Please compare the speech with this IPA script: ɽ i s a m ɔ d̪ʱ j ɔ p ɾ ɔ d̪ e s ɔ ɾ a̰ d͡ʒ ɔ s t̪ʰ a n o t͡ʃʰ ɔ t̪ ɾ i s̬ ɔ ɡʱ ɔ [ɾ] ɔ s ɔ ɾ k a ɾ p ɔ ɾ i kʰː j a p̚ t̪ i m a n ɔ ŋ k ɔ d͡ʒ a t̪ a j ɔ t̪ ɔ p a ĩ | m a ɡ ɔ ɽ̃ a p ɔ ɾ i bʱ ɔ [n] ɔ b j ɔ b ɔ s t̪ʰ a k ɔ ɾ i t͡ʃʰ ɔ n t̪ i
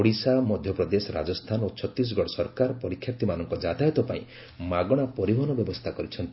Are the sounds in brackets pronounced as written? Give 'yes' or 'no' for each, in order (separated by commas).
no, yes